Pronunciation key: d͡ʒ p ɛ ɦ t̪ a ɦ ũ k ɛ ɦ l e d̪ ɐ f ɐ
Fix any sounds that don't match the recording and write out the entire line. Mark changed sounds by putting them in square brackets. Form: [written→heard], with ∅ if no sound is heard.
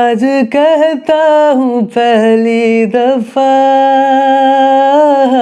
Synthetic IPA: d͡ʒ [p→k] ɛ ɦ t̪ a ɦ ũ [k→p] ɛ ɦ l [e→i] d̪ ɐ f [ɐ→a]

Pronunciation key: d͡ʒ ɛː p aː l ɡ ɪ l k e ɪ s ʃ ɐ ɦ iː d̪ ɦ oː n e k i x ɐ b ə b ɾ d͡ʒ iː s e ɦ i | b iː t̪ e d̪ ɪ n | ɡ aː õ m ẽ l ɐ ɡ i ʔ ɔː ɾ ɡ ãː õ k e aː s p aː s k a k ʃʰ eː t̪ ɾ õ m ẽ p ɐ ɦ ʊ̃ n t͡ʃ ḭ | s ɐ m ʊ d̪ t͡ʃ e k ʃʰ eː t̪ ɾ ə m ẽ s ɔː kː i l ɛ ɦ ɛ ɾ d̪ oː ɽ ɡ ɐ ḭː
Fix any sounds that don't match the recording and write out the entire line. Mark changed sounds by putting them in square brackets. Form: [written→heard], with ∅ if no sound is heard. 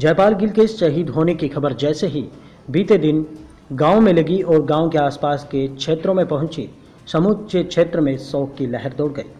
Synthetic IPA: d͡ʒ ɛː p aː l ɡ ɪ l k e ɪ s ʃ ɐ ɦ iː d̪ ɦ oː n e k i x ɐ b ə [b→∅] ɾ d͡ʒ [iː→ɛː] s e ɦ i | b iː t̪ e d̪ ɪ n | ɡ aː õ m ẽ l ɐ ɡ i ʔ ɔː ɾ ɡ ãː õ k e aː s p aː s k [a→e] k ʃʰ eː t̪ ɾ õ m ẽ p ɐ ɦ ʊ̃ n t͡ʃ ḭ | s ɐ m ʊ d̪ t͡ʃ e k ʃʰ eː t̪ ɾ ə m ẽ s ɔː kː i l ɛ ɦ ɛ ɾ d̪ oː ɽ ɡ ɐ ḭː

